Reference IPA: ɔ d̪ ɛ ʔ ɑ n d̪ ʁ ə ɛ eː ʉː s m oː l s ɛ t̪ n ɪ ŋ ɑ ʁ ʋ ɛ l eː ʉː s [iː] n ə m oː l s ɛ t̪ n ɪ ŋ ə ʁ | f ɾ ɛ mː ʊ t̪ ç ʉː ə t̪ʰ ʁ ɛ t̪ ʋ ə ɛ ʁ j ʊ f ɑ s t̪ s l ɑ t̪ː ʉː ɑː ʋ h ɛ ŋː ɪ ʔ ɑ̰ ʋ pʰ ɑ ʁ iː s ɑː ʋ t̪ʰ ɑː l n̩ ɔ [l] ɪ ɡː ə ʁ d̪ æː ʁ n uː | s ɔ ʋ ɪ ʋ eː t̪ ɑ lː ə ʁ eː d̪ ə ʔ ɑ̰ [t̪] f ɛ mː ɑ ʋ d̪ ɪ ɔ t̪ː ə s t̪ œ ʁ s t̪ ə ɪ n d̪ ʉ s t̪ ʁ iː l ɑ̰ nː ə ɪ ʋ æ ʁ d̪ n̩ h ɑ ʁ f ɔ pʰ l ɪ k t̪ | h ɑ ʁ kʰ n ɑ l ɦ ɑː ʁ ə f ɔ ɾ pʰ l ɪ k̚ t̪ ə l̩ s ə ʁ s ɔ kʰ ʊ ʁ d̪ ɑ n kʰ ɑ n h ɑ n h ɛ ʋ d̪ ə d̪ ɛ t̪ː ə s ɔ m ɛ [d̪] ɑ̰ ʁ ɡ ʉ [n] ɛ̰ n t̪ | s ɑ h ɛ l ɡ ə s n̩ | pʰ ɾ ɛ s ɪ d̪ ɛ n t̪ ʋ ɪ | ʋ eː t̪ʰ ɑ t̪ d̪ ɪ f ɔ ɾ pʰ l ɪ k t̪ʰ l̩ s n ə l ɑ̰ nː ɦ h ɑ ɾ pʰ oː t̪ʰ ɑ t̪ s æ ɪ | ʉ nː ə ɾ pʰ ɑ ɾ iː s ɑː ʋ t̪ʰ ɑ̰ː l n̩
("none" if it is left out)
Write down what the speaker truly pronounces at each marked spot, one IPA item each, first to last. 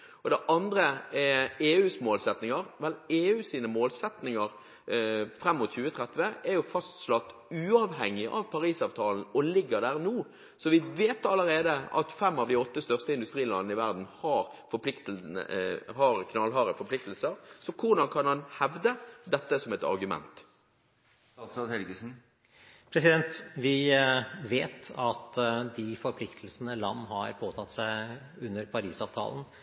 iː, l, t̪, t̪, m

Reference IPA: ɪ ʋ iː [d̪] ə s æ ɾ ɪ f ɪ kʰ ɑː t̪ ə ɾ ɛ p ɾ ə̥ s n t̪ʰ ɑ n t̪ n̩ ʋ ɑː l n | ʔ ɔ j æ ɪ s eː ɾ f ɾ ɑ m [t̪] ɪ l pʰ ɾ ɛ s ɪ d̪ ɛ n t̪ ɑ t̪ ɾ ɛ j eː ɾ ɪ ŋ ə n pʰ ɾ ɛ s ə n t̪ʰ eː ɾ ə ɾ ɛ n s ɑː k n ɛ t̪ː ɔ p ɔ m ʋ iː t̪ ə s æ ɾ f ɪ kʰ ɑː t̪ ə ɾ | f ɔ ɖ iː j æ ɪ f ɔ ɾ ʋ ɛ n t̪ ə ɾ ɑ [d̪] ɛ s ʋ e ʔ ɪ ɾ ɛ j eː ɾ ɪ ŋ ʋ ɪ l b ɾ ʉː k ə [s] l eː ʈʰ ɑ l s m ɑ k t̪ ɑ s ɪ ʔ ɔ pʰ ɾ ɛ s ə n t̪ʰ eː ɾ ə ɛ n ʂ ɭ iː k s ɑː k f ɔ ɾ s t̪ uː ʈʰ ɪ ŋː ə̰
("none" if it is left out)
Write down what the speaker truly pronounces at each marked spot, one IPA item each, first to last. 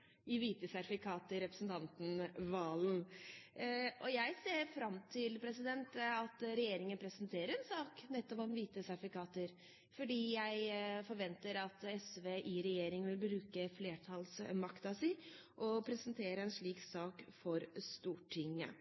t̪, t̪ʰ, t̪, f

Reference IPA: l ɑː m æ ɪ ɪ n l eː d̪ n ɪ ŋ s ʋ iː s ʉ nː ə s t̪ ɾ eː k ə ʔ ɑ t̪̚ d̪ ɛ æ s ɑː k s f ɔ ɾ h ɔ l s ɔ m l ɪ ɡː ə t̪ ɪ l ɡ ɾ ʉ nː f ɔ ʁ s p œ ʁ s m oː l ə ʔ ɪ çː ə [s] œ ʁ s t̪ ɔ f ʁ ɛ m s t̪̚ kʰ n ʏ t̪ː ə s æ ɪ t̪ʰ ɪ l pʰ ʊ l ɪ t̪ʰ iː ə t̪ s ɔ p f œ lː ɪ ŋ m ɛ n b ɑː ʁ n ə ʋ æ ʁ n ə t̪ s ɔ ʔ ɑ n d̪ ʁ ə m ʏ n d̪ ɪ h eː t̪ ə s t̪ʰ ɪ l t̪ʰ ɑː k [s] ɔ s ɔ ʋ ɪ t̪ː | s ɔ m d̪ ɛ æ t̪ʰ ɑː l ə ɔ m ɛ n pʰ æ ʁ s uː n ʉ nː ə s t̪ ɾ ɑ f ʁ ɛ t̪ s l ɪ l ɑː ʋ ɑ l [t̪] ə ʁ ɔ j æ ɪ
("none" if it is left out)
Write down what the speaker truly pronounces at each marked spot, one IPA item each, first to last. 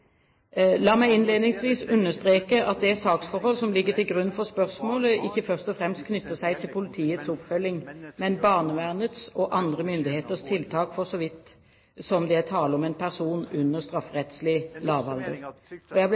f, f, d̪

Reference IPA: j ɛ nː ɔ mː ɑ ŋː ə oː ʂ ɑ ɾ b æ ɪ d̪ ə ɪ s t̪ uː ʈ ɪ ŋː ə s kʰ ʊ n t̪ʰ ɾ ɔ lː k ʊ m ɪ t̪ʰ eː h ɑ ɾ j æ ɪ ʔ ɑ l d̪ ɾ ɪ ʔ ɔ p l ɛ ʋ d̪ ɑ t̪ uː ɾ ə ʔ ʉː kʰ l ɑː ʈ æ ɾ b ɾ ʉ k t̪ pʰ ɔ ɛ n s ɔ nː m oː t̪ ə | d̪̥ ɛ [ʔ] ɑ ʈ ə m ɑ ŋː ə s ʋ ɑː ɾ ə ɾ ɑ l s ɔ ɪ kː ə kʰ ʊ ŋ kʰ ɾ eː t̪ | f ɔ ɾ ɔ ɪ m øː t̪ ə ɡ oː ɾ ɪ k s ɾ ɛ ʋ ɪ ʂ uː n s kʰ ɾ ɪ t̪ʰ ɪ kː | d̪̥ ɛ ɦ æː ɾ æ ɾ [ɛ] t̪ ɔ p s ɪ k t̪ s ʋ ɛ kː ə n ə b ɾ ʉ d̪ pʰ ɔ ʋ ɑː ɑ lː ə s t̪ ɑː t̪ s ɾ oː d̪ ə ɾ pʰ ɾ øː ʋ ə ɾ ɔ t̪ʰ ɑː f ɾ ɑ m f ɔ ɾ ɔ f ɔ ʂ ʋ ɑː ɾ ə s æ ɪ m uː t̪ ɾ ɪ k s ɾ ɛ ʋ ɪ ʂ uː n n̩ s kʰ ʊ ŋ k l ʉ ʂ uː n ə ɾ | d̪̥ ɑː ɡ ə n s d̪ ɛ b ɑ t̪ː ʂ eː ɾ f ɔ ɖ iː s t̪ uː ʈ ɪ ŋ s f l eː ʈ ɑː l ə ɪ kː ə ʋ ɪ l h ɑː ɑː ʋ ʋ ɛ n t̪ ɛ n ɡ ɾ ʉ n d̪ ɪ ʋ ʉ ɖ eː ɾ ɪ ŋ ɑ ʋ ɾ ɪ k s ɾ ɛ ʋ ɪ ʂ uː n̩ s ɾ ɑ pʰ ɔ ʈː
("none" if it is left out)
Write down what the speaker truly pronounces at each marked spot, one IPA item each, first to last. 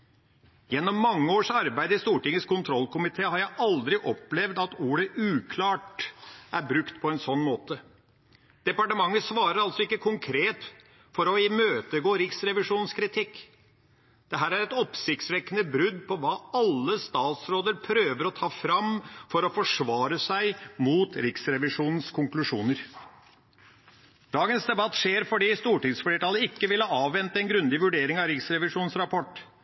p, ɛ

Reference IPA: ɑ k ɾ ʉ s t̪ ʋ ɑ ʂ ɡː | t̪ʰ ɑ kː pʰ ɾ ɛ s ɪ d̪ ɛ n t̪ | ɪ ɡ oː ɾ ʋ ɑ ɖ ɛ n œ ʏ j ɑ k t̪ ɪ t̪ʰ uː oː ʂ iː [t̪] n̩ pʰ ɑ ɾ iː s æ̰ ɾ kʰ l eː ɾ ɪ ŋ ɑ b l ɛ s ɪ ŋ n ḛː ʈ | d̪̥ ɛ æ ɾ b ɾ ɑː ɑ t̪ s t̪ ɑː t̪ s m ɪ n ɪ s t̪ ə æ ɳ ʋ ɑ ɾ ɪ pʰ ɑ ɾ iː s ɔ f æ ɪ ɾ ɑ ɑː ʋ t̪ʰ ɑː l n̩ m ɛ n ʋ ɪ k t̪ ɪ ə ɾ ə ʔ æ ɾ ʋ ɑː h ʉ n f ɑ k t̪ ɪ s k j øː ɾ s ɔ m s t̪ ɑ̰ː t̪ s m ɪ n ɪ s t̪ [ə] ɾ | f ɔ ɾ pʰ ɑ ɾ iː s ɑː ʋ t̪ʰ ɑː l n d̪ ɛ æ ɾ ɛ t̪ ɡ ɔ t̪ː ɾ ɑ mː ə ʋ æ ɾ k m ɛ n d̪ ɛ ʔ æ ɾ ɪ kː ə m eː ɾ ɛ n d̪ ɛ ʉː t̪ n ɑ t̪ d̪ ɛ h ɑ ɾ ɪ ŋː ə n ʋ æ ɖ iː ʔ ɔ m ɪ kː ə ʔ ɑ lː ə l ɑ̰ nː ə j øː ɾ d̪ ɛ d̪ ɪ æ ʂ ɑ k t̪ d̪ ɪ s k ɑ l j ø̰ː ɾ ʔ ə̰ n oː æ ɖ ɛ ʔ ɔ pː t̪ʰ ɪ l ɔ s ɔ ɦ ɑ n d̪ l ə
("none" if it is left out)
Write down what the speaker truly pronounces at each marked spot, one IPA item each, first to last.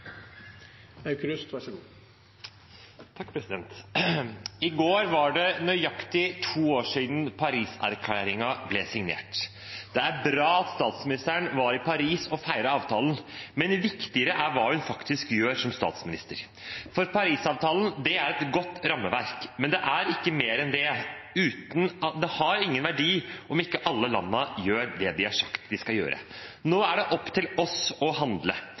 d̪, ə

